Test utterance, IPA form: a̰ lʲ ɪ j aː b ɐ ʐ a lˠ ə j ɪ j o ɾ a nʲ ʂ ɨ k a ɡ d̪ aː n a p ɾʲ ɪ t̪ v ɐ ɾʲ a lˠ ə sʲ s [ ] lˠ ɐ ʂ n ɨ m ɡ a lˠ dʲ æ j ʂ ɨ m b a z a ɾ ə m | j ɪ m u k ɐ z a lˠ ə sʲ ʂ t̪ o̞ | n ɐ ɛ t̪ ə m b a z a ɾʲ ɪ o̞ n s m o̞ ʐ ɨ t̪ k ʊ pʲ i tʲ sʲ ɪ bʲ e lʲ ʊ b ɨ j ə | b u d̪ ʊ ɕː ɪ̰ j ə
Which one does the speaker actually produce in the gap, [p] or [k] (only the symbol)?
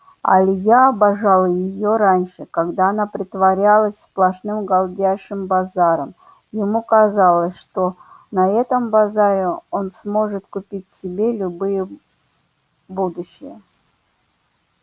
p